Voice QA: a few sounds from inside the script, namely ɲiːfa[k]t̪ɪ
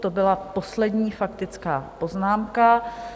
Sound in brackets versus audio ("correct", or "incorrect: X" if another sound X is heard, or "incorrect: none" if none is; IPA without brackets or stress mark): correct